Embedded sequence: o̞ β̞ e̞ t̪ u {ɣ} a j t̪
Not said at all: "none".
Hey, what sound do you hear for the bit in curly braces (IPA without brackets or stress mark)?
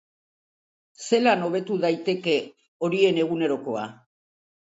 ð